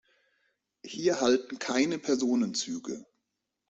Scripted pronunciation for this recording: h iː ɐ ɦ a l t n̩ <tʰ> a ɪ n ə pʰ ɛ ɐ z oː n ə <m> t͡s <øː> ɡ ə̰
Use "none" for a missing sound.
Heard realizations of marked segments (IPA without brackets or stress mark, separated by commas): kʰ, n, yː